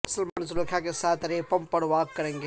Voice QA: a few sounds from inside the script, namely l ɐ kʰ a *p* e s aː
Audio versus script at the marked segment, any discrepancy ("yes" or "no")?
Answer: yes